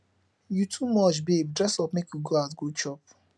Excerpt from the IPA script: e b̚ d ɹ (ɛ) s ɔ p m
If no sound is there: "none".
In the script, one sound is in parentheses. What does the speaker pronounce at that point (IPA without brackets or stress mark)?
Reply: ɛ